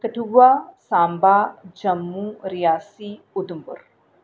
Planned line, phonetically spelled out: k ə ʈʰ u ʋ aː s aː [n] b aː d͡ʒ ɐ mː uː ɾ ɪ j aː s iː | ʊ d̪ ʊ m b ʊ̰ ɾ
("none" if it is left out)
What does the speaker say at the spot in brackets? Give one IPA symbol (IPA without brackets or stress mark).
m